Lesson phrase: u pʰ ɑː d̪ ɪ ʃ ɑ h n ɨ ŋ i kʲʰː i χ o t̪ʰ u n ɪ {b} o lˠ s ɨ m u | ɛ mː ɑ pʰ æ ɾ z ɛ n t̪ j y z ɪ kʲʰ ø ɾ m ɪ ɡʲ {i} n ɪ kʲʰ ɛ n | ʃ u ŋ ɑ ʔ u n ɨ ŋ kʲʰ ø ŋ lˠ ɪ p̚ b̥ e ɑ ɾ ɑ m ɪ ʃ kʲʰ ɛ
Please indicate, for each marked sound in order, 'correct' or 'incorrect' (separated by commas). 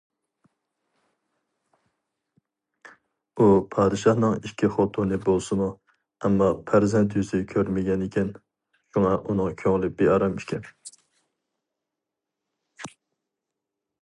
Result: correct, incorrect